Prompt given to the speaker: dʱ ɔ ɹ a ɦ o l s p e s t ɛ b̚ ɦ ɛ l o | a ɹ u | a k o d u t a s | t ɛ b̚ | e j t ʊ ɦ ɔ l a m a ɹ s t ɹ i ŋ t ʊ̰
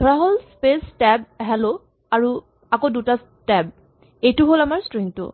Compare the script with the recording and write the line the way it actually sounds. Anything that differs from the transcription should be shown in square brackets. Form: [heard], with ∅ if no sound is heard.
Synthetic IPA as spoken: dʱ ɔ ɹ a ɦ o l s p e s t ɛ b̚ ɦ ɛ l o | a ɹ u | a k o d u t a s | t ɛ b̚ | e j t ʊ ɦ [o] l a m a ɹ s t ɹ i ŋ t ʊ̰

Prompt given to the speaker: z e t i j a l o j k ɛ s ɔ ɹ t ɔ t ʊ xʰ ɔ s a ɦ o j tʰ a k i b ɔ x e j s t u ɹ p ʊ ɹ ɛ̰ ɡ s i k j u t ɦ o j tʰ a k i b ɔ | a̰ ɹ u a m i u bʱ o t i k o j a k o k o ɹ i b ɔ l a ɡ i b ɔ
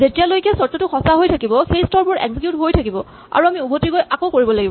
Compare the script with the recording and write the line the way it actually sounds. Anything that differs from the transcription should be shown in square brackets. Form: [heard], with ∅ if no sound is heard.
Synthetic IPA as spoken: z e t i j a l o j k ɛ s ɔ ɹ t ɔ t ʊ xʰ ɔ s a ɦ o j tʰ a k i b ɔ x e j s t [ɔ] ɹ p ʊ ɹ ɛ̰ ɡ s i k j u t ɦ o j tʰ a k i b ɔ | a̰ ɹ u a m i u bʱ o t i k o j a k o k o ɹ i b ɔ l a ɡ i b ɔ

